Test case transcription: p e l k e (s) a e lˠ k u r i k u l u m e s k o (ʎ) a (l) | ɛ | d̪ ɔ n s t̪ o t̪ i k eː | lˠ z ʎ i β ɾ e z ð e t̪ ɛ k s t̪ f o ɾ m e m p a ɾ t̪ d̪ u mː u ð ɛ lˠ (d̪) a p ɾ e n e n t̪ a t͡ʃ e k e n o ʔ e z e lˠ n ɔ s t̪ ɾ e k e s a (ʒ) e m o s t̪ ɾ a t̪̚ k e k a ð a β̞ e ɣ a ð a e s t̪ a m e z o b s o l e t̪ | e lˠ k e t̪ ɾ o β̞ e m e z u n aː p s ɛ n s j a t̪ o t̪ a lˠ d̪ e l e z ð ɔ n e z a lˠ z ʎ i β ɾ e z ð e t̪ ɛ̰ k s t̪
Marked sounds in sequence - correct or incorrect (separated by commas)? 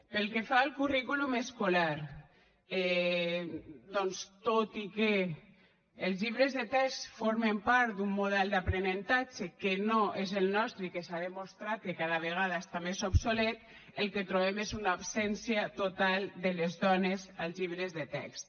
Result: incorrect, incorrect, incorrect, correct, incorrect